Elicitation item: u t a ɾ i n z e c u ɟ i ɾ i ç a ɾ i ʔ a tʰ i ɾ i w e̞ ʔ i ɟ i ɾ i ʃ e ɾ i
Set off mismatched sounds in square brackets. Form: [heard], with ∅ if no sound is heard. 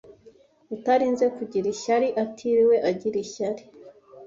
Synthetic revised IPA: u t a ɾ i n z e [k] u ɟ i ɾ i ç a ɾ i ʔ a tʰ i ɾ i w e̞ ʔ [a] ɟ i ɾ i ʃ [a] ɾ i